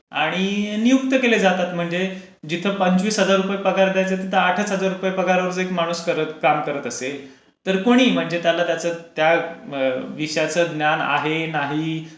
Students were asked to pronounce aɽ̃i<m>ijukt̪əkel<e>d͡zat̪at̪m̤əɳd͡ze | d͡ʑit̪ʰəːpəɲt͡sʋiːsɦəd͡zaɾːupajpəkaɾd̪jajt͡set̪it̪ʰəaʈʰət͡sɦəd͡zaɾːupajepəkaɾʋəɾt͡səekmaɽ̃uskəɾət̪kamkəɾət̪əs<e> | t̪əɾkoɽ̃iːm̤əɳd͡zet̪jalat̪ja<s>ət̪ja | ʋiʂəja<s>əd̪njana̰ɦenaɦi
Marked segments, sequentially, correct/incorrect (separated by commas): incorrect, correct, correct, incorrect, incorrect